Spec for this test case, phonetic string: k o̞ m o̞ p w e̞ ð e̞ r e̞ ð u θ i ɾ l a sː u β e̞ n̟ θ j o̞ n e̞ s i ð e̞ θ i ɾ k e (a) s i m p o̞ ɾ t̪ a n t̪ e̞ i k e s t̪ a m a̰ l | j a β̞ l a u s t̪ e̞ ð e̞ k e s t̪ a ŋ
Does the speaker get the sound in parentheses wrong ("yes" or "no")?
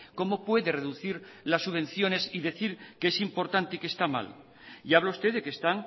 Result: yes